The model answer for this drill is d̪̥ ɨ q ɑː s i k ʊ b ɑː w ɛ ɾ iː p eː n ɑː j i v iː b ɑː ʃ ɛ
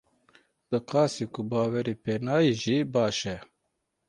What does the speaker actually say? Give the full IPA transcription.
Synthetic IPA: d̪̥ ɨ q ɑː s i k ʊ b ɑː w ɛ ɾ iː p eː n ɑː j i ʒ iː b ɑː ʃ ɛ